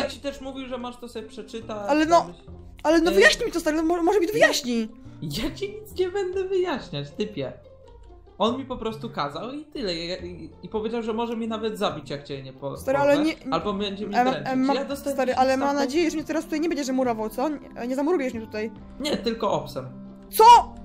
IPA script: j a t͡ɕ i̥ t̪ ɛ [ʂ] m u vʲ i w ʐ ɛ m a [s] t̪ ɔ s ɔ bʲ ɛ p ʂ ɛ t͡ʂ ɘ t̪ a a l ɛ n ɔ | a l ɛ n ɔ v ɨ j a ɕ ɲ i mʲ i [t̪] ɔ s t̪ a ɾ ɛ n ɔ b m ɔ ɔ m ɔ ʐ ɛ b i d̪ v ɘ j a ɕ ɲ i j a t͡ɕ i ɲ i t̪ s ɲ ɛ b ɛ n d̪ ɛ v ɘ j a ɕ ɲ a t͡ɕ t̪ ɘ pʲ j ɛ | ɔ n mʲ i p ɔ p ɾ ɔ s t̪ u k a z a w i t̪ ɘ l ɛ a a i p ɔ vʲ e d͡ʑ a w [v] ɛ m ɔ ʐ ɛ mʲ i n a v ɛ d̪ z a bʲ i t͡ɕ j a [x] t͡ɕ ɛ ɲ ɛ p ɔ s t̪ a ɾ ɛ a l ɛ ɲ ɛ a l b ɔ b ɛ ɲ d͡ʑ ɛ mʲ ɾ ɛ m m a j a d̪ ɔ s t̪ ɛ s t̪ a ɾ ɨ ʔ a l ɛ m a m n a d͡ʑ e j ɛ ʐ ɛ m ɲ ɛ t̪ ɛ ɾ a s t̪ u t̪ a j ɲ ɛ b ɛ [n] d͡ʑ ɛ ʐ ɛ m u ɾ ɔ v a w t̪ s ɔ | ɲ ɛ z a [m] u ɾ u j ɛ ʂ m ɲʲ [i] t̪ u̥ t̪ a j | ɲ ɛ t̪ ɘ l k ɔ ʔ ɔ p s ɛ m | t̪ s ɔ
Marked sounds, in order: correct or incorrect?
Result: correct, incorrect, correct, incorrect, incorrect, incorrect, correct, incorrect

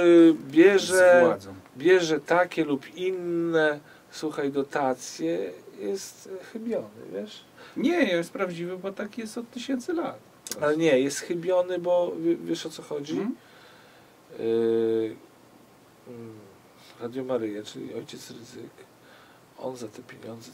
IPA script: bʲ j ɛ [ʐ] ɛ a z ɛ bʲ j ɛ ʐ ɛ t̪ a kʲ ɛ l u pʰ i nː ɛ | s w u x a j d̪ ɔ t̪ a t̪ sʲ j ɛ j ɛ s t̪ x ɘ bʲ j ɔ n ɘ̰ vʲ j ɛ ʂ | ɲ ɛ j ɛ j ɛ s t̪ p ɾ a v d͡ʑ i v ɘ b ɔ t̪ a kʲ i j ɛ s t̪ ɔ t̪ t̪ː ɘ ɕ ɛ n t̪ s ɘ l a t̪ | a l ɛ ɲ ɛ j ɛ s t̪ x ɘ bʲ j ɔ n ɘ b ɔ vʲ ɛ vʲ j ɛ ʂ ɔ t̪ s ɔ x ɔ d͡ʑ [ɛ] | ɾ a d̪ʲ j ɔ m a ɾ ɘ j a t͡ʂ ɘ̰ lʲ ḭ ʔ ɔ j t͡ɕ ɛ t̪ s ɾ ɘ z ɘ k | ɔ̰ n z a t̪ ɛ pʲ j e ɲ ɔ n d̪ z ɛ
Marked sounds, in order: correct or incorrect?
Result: correct, incorrect

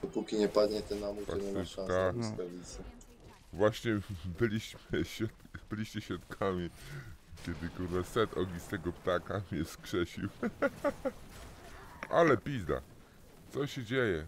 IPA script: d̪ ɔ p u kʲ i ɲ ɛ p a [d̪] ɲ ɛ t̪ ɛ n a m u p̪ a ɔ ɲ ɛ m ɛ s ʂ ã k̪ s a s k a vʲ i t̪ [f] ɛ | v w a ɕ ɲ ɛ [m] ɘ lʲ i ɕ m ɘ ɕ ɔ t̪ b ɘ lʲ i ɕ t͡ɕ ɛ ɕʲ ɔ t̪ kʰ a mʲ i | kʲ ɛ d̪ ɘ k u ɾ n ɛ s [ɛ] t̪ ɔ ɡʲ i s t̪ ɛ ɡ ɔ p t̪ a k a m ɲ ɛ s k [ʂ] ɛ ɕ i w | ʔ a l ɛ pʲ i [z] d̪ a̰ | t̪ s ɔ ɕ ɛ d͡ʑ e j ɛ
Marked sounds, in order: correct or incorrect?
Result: correct, incorrect, incorrect, correct, correct, correct

